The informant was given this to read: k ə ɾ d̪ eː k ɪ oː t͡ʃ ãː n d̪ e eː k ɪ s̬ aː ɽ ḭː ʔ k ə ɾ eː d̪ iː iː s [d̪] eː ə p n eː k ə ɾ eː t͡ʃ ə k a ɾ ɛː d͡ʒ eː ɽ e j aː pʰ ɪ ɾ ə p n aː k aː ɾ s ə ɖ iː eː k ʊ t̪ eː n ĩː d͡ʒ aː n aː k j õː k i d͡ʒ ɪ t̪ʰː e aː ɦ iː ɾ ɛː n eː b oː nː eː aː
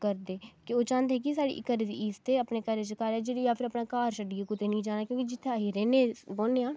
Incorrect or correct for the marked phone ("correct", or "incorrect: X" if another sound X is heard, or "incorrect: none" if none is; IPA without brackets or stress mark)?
incorrect: t̪